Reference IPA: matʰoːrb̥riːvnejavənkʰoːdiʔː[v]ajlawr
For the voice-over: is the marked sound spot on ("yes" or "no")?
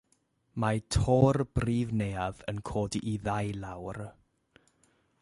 no